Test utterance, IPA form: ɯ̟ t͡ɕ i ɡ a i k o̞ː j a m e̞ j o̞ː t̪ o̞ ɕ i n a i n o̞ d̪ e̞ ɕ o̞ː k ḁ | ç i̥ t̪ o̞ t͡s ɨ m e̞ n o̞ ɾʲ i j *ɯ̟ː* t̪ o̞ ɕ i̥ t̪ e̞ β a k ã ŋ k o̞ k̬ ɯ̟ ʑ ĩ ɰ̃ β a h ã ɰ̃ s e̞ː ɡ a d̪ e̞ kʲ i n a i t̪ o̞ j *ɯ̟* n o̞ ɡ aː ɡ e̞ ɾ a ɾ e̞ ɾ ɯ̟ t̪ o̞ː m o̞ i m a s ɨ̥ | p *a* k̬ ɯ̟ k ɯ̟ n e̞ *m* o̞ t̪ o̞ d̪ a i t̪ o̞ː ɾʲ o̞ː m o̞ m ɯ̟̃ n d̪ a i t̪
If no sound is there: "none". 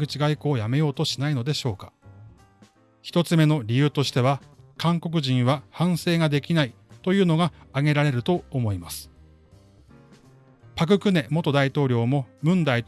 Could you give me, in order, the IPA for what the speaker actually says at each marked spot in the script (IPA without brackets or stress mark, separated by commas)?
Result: ɯ̟ː, ɯ̟ː, a, m